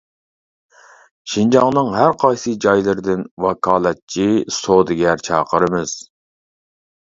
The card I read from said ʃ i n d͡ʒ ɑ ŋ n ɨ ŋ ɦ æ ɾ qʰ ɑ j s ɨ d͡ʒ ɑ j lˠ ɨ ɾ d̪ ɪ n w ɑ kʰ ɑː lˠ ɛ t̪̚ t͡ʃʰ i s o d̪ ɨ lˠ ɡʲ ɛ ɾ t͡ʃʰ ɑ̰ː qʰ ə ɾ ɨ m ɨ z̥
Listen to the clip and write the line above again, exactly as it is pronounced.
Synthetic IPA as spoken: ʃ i n d͡ʒ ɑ ŋ n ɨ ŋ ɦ æ ɾ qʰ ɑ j s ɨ d͡ʒ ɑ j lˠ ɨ ɾ d̪ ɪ n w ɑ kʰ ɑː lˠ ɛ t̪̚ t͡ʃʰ i s o d̪ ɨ ɡʲ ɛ ɾ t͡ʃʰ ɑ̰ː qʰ ə ɾ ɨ m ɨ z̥